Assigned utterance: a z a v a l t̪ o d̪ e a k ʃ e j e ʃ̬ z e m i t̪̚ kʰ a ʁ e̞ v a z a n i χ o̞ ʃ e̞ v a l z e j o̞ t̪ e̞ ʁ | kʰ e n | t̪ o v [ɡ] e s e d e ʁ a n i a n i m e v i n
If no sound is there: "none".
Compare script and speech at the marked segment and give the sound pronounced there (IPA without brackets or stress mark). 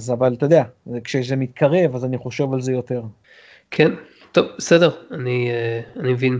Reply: b